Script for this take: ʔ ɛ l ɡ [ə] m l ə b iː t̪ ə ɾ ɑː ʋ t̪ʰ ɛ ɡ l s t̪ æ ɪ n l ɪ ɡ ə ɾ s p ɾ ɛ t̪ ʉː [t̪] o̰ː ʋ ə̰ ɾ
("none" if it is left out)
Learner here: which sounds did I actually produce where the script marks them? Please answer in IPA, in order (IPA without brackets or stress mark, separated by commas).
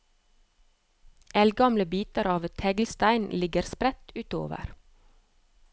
ɑ, t̪